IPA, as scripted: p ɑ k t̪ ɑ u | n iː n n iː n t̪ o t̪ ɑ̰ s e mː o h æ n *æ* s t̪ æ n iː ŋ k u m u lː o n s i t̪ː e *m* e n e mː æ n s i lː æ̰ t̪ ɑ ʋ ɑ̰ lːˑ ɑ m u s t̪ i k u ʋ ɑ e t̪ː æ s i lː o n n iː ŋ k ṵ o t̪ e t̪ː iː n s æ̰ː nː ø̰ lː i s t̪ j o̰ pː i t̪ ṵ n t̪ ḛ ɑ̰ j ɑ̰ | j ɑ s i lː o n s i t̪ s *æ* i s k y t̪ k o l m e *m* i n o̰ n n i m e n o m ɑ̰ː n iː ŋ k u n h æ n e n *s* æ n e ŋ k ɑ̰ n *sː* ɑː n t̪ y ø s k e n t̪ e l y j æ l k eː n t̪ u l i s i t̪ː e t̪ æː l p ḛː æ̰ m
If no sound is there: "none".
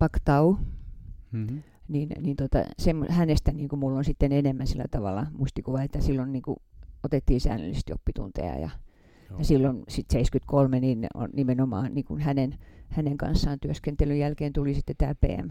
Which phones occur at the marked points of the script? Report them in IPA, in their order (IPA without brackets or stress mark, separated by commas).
e, n, e, n, h, sː